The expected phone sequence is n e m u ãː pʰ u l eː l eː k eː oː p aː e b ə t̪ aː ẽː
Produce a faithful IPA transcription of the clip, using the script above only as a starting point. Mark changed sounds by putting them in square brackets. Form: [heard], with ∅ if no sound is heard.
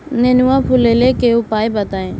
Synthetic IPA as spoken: n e [n] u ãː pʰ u l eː l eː k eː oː p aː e b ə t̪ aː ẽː